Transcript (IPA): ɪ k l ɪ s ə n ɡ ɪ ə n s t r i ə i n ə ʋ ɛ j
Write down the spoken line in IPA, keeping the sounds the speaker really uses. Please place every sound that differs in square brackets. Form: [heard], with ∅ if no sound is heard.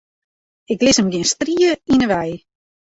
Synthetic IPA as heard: ɪ k l ɪ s ə [m] ɡ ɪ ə n s t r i ə i n ə ʋ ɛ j